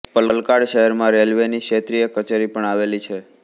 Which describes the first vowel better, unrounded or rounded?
unrounded